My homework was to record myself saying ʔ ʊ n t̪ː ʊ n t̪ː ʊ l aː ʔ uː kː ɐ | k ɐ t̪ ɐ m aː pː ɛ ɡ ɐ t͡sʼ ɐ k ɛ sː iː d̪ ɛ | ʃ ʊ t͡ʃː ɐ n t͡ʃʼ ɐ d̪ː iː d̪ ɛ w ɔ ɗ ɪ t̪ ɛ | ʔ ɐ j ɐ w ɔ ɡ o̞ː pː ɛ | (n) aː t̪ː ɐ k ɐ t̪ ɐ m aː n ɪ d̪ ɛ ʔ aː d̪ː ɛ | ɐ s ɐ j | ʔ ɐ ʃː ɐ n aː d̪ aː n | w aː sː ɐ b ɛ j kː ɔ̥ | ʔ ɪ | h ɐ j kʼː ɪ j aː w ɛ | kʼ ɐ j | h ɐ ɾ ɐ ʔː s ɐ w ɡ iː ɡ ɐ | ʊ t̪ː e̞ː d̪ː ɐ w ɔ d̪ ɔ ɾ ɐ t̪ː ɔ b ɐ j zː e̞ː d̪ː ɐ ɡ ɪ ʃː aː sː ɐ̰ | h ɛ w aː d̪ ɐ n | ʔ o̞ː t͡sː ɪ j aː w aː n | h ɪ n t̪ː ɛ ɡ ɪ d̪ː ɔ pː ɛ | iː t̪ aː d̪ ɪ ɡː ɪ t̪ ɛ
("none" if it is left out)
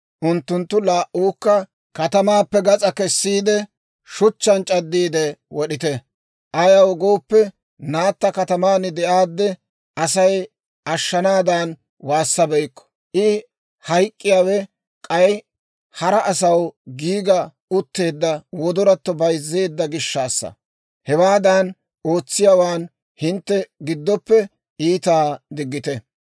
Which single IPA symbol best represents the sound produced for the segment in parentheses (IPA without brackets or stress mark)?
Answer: n